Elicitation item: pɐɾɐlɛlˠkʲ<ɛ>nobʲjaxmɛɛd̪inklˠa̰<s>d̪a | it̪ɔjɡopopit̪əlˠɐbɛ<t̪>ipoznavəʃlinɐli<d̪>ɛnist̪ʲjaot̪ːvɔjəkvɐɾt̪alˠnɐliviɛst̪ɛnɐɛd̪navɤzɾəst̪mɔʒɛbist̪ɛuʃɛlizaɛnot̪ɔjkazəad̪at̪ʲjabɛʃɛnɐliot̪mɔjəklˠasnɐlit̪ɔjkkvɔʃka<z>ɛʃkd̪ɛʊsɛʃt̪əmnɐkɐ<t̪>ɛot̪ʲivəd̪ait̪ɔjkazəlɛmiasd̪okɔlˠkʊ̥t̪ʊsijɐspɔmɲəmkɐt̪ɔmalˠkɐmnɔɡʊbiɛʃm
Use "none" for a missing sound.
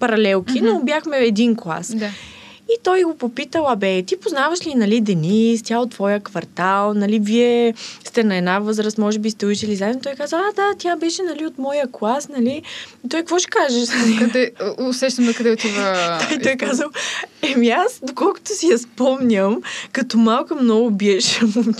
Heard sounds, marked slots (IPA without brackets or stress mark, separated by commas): i, s, t̪, d̪, ʒ, d̪